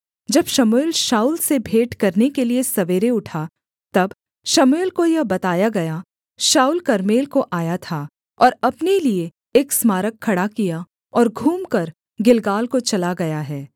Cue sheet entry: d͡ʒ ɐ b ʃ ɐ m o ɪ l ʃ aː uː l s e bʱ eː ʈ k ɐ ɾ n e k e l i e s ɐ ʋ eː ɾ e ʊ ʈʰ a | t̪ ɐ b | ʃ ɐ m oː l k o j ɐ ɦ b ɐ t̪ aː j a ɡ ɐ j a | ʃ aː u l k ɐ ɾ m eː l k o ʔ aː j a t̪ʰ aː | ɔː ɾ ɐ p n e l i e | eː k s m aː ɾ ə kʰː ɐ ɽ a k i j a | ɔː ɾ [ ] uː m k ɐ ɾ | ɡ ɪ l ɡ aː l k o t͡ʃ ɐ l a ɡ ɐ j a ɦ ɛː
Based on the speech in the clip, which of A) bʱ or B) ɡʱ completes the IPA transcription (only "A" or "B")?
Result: B